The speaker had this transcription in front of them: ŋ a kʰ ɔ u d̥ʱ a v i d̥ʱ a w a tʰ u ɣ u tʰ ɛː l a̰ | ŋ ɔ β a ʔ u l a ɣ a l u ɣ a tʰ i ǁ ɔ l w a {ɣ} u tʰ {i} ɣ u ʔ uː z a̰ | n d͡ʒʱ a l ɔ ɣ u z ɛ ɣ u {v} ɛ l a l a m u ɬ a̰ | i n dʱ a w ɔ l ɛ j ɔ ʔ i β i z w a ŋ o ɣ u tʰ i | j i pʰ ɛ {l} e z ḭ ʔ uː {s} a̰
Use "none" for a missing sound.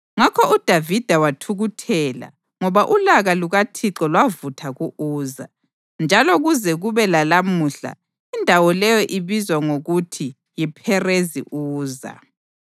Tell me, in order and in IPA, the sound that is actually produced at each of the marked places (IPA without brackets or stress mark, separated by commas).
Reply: v, a, β, r, z